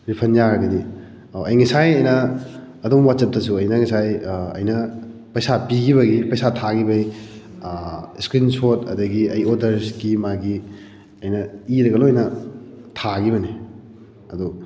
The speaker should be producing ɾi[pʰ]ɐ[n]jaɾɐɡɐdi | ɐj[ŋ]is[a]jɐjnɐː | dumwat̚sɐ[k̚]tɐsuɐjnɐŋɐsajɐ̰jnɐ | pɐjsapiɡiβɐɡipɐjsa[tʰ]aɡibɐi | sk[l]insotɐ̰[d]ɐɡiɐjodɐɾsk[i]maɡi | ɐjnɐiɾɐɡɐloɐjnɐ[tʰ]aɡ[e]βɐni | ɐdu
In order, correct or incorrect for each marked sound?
correct, correct, correct, correct, incorrect, correct, incorrect, correct, correct, correct, incorrect

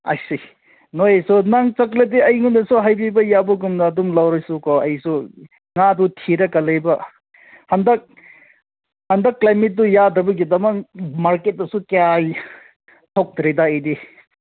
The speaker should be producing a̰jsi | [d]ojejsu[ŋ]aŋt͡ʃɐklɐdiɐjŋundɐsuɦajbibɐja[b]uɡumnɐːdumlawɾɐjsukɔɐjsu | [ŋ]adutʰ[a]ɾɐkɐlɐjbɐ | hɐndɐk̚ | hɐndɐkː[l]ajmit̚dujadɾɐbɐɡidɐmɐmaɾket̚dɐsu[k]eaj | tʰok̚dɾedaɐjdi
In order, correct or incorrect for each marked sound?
incorrect, incorrect, correct, correct, incorrect, correct, correct

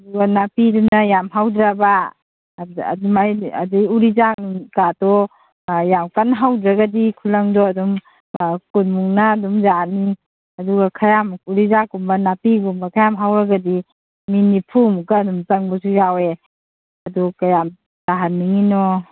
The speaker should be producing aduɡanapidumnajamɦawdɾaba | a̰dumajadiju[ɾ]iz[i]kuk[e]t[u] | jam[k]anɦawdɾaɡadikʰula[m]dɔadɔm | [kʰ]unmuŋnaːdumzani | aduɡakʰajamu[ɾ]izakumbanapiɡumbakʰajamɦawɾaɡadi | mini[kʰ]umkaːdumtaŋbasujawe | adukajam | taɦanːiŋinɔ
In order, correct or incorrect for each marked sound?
correct, incorrect, incorrect, incorrect, correct, incorrect, incorrect, correct, incorrect

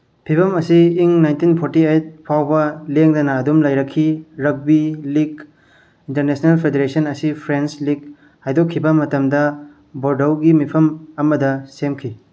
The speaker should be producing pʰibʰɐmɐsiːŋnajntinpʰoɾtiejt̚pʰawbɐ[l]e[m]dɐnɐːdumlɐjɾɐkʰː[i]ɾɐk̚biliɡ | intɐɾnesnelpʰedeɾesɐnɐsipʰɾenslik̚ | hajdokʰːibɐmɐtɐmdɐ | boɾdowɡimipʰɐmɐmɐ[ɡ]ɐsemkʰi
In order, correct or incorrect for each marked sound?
correct, incorrect, correct, incorrect

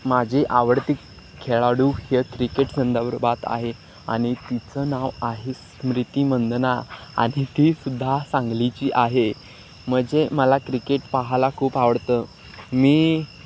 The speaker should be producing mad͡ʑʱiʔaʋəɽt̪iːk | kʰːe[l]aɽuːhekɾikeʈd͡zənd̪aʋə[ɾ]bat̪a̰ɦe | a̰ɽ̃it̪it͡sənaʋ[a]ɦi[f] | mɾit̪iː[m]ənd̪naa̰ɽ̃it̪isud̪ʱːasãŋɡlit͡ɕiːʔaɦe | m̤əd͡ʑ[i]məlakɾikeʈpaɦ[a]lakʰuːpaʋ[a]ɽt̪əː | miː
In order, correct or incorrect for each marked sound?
incorrect, correct, correct, incorrect, correct, incorrect, correct, incorrect

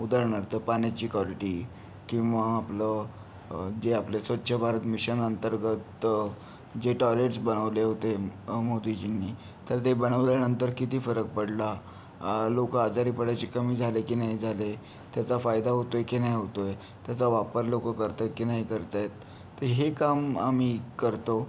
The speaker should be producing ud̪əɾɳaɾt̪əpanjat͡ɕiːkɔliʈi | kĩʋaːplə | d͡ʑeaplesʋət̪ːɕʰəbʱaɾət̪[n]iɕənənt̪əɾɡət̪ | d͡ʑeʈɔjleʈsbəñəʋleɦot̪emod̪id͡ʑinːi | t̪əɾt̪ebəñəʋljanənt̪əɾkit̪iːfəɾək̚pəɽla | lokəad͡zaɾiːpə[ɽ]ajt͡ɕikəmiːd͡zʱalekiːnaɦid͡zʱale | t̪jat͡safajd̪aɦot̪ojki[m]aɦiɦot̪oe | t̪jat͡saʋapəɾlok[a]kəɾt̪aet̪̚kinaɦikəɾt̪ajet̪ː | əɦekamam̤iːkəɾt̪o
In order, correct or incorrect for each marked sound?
incorrect, correct, incorrect, incorrect

